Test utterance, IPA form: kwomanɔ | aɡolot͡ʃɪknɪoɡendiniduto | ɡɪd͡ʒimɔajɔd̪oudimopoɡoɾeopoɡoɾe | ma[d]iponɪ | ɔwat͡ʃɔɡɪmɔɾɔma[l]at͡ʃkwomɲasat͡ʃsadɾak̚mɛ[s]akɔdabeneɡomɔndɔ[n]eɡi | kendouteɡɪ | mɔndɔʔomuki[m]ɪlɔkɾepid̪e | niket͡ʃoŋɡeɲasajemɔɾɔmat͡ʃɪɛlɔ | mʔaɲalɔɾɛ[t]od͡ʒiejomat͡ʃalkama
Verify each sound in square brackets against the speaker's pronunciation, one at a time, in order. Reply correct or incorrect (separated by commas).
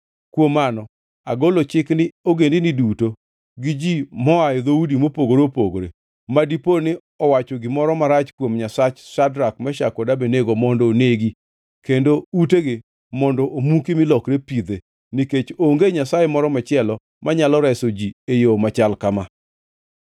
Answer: correct, incorrect, incorrect, correct, correct, incorrect